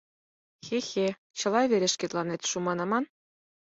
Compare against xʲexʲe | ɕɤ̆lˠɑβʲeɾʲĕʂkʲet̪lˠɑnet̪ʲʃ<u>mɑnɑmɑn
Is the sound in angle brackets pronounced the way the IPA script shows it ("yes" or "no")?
yes